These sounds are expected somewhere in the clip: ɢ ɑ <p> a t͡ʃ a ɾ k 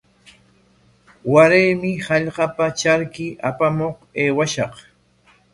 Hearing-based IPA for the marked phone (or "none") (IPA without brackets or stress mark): p